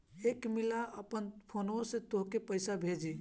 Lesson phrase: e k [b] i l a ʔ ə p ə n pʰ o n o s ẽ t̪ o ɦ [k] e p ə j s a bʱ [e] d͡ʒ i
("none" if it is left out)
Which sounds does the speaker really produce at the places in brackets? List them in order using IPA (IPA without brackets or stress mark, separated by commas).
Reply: m, k, e